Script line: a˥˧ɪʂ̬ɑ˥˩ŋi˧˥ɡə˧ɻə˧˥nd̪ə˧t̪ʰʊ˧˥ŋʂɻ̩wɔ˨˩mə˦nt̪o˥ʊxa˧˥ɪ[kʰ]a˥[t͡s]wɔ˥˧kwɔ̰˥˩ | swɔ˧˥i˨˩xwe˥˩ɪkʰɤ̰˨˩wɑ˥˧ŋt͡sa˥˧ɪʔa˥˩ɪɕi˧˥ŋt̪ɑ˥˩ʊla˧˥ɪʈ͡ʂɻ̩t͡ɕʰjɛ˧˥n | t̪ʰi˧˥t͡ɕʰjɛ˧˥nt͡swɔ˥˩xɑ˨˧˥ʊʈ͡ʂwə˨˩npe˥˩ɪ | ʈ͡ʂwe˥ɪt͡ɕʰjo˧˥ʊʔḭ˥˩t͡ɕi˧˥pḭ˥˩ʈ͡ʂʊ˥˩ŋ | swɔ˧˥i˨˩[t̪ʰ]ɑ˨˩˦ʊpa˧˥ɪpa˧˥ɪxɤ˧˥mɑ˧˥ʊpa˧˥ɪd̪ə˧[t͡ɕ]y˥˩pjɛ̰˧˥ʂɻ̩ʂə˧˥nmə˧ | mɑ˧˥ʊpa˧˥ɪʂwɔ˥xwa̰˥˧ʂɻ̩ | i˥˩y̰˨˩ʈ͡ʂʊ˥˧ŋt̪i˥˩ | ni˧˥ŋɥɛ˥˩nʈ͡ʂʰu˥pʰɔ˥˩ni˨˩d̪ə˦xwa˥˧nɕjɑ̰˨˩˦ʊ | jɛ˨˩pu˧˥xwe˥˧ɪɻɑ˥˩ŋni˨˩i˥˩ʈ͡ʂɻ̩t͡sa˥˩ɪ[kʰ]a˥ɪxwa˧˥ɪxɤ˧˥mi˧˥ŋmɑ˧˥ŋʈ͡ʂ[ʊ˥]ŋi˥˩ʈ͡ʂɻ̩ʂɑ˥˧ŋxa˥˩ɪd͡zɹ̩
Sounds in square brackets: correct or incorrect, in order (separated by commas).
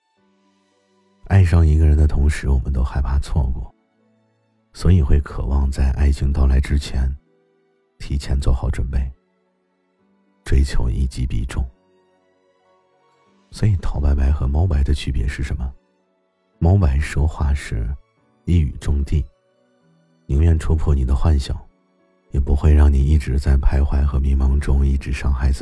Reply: incorrect, incorrect, correct, incorrect, incorrect, correct